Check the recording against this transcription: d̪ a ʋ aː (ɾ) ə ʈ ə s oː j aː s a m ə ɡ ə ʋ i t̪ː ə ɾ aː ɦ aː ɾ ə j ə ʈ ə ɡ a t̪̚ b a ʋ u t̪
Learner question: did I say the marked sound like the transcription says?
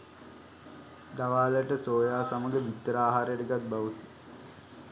no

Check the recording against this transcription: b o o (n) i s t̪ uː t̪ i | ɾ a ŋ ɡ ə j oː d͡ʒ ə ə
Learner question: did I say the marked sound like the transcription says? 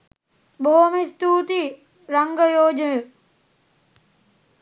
no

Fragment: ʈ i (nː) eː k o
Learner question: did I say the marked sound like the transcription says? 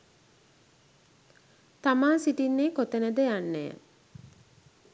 yes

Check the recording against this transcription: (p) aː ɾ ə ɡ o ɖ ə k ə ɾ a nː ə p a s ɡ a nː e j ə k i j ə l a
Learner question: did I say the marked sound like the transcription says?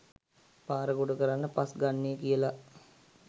yes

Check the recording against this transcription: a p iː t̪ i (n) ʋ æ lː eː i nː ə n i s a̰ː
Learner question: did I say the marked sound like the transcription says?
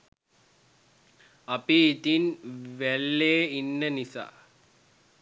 yes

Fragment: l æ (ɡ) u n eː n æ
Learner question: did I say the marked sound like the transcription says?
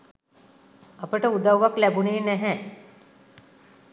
no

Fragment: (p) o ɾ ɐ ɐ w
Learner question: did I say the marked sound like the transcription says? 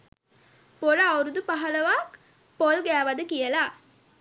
yes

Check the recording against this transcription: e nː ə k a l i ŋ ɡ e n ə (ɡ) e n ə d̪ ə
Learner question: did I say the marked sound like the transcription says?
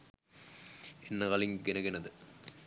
yes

